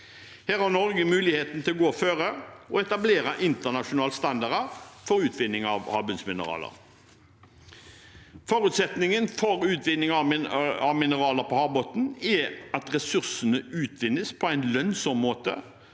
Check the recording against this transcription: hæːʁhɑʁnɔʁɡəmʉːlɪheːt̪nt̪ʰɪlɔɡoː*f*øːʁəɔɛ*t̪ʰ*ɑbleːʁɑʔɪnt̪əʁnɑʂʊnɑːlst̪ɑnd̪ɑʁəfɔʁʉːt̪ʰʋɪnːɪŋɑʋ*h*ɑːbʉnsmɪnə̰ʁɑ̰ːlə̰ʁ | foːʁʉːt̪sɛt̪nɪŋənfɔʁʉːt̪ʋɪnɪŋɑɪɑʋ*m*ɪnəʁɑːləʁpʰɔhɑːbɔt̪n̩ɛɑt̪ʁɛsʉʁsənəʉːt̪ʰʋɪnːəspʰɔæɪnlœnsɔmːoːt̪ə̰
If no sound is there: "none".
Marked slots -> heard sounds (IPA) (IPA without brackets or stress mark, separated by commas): f, t̪, h, m